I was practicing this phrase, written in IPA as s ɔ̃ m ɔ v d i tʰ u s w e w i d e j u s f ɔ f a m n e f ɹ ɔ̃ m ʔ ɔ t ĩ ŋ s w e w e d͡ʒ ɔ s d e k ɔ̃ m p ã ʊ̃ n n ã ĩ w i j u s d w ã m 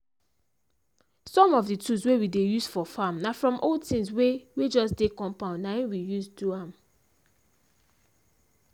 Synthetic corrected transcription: s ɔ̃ m ɔ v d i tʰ u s w e w i d e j u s f ɔ f a m n a f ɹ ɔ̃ m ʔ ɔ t ĩ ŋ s w e w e d͡ʒ ɔ s d e k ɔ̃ m p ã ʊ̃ n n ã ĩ w i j u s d u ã m